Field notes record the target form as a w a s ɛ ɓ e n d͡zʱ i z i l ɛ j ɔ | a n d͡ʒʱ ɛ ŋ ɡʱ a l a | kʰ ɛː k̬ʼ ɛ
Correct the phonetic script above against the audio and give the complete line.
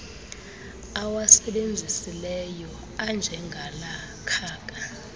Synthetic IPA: a w a s ɛ ɓ e n d͡zʱ i s i l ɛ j ɔ | a n d͡ʒʱ ɛ ŋ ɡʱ a l a | kʰ aː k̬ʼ a